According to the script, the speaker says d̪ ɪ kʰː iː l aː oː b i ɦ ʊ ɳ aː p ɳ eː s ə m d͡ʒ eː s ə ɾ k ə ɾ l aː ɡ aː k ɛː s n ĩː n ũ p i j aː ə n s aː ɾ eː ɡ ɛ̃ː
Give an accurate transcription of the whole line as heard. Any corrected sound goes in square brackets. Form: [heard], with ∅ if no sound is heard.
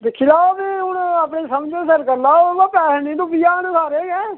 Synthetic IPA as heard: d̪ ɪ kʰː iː l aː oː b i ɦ ʊ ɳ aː p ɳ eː s ə m d͡ʒ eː s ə ɾ k ə ɾ l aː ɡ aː [p] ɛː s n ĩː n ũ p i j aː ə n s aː ɾ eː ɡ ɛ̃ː

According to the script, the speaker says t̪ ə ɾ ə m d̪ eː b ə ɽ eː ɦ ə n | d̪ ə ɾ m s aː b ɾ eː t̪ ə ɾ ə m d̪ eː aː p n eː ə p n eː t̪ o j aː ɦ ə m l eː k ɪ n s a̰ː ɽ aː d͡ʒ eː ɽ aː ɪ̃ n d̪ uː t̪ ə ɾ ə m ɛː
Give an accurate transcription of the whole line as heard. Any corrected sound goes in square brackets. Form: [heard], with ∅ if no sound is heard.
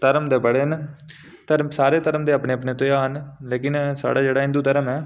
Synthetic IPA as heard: t̪ ə ɾ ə m d̪ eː b ə ɽ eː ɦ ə n | [t̪] ə ɾ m s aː [∅] ɾ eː t̪ ə ɾ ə m d̪ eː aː p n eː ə p n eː t̪ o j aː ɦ ə [n] l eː k ɪ n s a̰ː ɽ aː d͡ʒ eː ɽ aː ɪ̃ n d̪ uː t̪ ə ɾ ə m ɛː

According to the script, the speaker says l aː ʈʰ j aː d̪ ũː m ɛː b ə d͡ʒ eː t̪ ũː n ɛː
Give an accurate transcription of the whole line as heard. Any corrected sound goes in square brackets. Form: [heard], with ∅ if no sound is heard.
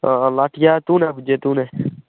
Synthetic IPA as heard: l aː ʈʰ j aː [t̪] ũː [n] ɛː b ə d͡ʒ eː t̪ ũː n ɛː

